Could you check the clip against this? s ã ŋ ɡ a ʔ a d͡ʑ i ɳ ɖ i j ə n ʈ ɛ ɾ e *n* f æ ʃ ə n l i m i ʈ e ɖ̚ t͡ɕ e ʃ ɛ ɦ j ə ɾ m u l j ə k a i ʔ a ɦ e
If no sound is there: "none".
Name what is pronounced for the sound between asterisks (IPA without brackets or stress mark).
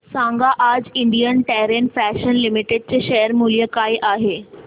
n